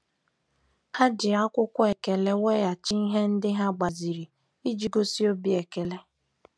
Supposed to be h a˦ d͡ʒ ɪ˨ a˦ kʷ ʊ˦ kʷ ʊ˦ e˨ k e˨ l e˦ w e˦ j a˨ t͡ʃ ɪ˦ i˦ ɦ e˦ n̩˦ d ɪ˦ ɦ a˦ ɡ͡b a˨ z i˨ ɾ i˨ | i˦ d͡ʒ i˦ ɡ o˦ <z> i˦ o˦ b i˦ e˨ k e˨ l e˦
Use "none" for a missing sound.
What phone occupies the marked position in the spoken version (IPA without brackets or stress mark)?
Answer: s